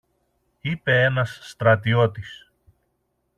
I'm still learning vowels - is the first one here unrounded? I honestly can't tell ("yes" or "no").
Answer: yes